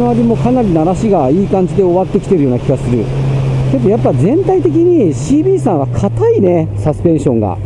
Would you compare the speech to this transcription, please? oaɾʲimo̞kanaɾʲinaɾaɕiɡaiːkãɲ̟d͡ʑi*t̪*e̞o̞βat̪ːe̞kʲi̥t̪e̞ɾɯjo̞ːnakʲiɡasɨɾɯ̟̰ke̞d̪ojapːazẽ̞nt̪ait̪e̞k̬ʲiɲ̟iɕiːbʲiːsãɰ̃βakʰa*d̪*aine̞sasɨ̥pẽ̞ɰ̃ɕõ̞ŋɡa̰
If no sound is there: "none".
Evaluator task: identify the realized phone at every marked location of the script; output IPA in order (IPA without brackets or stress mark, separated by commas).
d̪, t̪